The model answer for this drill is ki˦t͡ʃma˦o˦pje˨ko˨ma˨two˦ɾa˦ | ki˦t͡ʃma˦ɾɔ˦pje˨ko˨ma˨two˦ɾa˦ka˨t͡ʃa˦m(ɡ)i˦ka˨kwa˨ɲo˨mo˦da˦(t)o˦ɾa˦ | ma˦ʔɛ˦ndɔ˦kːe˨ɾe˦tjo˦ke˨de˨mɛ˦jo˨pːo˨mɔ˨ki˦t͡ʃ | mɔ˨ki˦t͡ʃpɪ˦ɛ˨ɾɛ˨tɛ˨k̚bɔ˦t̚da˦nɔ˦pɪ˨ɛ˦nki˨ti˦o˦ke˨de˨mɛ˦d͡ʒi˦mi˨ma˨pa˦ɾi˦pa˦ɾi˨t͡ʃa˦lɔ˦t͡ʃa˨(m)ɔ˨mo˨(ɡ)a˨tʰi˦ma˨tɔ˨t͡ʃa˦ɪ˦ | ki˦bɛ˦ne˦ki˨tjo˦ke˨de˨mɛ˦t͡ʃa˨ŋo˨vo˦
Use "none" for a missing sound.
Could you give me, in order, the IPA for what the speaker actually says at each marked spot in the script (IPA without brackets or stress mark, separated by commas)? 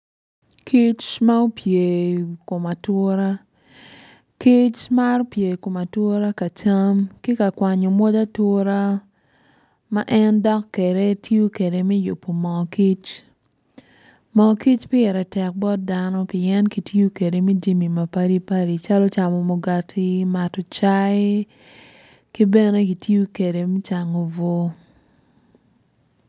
k, t, m, ɡ